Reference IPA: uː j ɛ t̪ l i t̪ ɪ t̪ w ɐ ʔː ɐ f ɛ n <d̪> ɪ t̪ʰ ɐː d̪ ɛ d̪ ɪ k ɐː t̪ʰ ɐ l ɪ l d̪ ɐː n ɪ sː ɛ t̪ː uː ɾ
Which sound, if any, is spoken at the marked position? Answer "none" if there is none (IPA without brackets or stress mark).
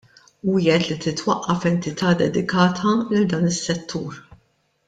t̪